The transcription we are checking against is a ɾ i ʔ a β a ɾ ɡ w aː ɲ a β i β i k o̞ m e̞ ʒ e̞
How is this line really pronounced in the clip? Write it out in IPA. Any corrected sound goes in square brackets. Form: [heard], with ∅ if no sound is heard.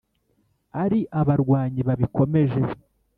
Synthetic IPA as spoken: a ɾ i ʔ a β a ɾ ɡ w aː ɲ [i] β [a] β i k o̞ m e̞ ʒ e̞

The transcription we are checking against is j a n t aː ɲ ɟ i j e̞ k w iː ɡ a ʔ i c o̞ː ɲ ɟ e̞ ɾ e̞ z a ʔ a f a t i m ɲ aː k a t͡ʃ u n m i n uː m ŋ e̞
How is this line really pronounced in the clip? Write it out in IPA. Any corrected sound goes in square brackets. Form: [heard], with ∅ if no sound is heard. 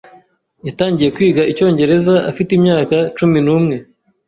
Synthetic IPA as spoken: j a [∅] t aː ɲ ɟ i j e̞ k w iː ɡ a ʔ i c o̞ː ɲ ɟ e̞ ɾ e̞ z a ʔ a f [i] t i m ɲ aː k a t͡ʃ u [∅] m i n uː m ŋ e̞

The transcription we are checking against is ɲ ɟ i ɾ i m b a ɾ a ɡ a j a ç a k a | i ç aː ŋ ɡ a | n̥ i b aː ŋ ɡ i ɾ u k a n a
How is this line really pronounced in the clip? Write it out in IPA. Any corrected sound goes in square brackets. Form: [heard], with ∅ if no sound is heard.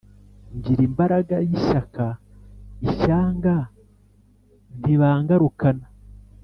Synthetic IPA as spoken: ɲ ɟ i ɾ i m b a ɾ a ɡ a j [i] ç a k a | i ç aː ŋ ɡ a | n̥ i [β] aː ŋ ɡ [a] ɾ u k a n a

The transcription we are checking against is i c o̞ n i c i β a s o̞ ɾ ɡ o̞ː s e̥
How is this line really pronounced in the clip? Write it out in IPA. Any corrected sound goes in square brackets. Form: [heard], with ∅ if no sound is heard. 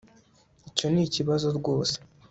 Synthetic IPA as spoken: i c o̞ n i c i β a [z] o̞ ɾ ɡ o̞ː s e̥

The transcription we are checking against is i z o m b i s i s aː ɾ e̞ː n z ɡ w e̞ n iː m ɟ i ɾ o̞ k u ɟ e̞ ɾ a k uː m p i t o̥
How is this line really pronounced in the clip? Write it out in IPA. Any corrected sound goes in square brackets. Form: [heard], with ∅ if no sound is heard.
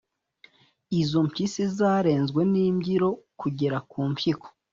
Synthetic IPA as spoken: i z o m [p] i s i [z] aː ɾ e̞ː n z ɡ w e̞ n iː m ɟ i ɾ o̞ k u ɟ e̞ ɾ a k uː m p i [k] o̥

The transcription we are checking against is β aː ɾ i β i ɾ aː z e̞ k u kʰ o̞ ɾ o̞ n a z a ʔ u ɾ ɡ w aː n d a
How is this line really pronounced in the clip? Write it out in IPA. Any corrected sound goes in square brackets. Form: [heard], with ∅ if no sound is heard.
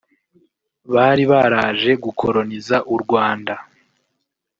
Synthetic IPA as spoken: β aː ɾ i β [a] ɾ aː [ʒ] e̞ [ɡ] u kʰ o̞ ɾ o̞ n [i] z a ʔ u ɾ ɡ w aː n d a

